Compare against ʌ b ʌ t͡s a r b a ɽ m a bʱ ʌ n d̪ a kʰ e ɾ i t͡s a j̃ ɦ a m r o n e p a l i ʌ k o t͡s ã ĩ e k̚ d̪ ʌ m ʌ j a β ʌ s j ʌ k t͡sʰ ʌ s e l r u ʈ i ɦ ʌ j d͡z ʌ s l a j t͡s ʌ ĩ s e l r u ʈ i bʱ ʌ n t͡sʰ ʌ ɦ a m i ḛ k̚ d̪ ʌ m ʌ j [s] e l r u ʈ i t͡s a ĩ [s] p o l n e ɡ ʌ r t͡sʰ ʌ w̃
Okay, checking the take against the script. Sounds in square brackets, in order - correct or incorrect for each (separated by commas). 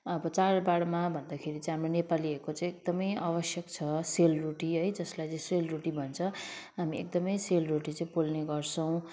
correct, incorrect